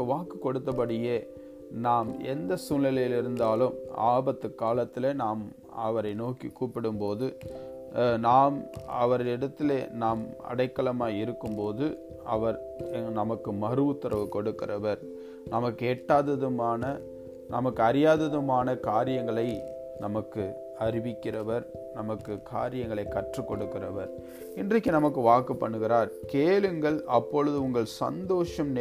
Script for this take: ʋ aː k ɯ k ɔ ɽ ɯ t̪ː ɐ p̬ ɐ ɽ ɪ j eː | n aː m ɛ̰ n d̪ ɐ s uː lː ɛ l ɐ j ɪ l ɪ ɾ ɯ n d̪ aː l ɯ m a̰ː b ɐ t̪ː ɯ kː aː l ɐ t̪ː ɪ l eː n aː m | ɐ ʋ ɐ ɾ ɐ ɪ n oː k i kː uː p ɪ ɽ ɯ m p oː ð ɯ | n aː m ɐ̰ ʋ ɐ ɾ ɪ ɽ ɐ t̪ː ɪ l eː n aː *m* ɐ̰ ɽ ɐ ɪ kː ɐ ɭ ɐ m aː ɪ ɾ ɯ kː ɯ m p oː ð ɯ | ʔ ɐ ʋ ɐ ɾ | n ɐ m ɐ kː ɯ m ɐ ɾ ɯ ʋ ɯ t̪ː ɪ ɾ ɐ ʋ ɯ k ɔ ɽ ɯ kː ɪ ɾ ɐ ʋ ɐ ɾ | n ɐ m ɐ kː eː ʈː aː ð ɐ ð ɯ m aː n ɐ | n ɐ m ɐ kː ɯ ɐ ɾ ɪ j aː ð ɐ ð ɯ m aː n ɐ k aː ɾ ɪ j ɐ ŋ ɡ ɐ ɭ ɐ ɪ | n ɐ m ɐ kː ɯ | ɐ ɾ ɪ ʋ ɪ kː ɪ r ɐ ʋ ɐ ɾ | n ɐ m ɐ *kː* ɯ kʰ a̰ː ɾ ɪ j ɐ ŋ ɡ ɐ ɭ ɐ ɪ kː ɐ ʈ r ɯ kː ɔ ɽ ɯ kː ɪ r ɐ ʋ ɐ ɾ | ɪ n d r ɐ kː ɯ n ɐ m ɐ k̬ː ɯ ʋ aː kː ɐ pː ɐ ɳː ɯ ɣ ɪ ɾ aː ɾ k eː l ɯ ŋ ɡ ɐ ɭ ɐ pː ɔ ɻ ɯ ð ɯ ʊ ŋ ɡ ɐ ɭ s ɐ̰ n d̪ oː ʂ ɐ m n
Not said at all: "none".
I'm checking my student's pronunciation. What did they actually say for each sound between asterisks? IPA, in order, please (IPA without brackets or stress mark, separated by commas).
m, kː